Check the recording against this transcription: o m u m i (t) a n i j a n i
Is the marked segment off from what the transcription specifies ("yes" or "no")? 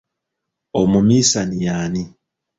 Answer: yes